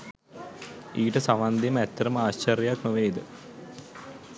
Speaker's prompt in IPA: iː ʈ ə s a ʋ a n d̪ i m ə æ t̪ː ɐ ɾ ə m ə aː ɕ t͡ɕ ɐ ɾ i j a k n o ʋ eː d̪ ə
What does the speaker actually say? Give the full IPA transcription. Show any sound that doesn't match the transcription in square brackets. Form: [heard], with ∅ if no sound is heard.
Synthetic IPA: iː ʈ ə s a ʋ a n d̪ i m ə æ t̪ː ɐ ɾ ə m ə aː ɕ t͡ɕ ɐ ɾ [j] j a k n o ʋ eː d̪ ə

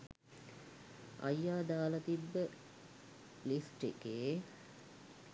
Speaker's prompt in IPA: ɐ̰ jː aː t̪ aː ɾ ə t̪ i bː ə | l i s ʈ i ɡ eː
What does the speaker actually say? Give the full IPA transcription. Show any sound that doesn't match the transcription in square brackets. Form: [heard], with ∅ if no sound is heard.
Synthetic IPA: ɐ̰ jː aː [d̪] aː [l] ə t̪ i bː ə | l i s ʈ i [k] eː

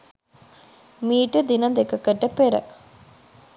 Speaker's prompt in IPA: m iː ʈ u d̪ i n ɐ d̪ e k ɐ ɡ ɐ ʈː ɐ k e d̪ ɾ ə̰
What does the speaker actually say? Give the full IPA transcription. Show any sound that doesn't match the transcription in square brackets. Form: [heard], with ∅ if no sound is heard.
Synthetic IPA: m iː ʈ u d̪ i n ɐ d̪ e k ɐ [k] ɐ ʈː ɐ [p] e [∅] ɾ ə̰

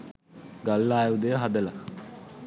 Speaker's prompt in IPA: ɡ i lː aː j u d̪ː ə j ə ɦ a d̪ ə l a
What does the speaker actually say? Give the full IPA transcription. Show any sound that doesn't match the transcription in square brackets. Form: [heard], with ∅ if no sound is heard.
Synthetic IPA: ɡ [a] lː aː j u [d̪] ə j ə ɦ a d̪ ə l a

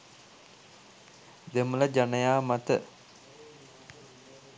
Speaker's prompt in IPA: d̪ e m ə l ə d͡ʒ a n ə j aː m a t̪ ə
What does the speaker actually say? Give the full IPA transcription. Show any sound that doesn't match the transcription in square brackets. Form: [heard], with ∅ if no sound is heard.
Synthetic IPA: d̪ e m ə l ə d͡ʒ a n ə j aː m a t̪ ə

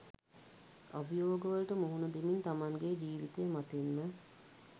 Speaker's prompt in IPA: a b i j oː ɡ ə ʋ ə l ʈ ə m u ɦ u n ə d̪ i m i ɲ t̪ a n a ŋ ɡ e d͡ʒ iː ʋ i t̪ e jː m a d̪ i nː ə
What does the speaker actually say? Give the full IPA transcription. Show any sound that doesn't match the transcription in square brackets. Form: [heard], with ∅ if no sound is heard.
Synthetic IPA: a b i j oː ɡ ə ʋ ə l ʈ ə m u ɦ u n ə d̪ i m i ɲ t̪ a [m] a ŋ ɡ e d͡ʒ iː ʋ i t̪ e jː m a [t̪] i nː ə

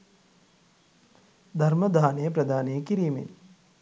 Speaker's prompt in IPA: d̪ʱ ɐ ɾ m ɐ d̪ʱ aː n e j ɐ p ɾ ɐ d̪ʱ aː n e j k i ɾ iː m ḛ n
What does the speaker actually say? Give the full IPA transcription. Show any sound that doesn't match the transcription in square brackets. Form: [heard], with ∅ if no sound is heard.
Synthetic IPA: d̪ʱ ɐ ɾ m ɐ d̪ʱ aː n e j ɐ p ɾ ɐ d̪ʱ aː n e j k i ɾ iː m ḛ n

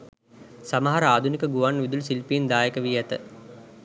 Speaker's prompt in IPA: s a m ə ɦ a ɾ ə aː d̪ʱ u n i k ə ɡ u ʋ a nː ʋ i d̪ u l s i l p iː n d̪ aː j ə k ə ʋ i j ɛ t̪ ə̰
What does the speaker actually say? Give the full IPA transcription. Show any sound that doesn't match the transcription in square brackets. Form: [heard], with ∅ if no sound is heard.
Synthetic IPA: s a m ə ɦ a ɾ ə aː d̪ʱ u n i k ə ɡ u ʋ a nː ʋ i d̪ u l s i l p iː n d̪ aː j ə k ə ʋ i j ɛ t̪ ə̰

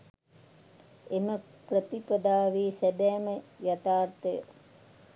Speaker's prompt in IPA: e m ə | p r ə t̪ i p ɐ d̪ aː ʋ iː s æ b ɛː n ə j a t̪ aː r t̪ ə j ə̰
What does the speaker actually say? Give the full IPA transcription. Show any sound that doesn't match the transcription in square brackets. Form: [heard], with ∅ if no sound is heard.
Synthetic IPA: e m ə | p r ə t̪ i p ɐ d̪ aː ʋ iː s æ b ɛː [m] ə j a t̪ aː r t̪ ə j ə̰

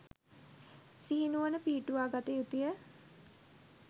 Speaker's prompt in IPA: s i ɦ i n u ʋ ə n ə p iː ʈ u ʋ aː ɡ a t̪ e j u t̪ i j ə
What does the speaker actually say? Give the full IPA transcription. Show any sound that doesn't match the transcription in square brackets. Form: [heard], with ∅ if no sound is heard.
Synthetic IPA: s i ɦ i n u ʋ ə n ə p iː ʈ u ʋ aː ɡ a t̪ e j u t̪ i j ə

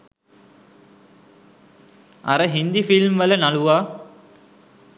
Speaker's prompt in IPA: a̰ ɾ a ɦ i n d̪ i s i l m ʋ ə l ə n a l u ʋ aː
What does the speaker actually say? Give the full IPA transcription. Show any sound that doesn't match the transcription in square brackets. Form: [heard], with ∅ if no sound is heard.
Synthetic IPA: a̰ ɾ [ə] ɦ i n d̪ i [f] i l m ʋ ə l ə n a l u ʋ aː

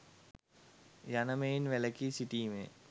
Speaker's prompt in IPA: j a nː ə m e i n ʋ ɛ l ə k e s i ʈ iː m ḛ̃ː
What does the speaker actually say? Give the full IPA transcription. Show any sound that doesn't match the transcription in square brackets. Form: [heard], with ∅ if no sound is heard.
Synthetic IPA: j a [n] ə m e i n ʋ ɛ l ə k [i] s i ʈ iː m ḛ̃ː

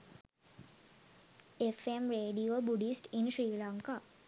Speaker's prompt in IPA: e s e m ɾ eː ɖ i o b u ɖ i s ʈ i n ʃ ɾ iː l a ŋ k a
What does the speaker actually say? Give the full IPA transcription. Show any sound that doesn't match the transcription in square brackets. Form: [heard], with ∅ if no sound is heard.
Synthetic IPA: e [f] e m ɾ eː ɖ i o b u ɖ i s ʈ i n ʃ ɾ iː l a ŋ k a

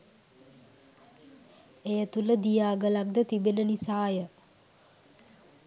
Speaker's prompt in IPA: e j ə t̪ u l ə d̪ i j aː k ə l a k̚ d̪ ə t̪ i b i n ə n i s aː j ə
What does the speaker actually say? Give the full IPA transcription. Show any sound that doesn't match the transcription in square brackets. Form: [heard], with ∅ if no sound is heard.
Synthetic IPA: e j ə t̪ u l ə d̪ i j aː [ɡ] ə l a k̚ d̪ ə t̪ i b [e] n ə n i s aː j ə

